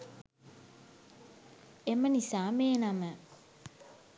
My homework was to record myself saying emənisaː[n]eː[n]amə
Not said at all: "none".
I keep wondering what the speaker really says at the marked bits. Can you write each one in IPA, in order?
m, n

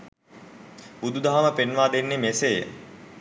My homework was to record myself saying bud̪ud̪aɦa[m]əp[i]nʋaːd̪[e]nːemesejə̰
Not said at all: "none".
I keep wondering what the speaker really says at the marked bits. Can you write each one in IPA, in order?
m, e, e

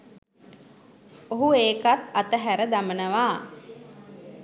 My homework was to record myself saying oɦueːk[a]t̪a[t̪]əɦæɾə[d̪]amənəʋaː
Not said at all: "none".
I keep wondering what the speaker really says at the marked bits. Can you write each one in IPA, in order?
a, t̪, d̪

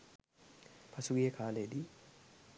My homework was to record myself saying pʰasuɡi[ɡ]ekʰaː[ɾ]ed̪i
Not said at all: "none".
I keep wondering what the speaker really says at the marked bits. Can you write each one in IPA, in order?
none, l

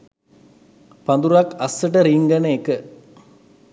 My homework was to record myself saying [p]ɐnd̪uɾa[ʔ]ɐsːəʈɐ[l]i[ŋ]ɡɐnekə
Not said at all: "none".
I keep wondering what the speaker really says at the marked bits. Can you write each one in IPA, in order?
p, k, ɾ, ŋ

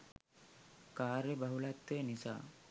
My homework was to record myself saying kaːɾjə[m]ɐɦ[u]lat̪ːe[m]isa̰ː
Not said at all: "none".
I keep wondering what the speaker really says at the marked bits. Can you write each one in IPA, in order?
b, u, n

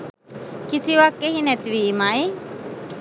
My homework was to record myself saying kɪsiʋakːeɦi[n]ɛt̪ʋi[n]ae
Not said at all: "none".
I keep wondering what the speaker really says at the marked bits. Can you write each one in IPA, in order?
n, m

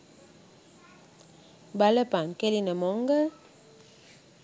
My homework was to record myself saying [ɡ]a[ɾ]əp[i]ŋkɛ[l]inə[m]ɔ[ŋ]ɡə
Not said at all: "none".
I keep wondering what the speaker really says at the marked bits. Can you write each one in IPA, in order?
b, l, a, l, m, ŋ

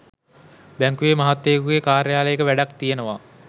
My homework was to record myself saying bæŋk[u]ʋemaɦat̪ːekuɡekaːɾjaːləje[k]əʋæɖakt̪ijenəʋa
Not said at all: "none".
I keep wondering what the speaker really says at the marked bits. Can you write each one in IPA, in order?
u, k

